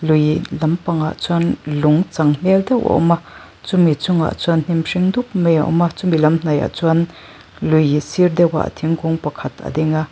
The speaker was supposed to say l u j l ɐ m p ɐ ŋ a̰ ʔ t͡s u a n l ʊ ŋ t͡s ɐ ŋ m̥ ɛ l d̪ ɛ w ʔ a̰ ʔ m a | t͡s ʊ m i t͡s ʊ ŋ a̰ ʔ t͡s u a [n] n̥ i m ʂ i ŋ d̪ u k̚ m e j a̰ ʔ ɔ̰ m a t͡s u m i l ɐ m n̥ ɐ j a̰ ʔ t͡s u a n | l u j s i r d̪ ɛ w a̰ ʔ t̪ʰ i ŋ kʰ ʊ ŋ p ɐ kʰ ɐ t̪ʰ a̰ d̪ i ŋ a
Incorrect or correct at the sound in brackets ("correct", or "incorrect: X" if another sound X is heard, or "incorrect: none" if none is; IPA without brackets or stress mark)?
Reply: correct